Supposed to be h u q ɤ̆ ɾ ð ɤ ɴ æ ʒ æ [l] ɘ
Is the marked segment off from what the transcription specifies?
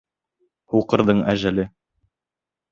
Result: no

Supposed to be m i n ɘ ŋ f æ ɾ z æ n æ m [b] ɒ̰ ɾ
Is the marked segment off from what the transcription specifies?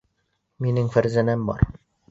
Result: no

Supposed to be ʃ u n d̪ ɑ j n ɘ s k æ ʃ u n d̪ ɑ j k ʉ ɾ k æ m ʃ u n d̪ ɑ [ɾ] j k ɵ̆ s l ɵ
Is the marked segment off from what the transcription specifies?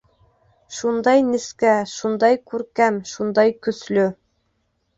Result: yes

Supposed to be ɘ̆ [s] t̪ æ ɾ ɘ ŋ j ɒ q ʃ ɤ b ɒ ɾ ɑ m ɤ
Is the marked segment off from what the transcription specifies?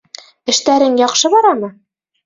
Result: yes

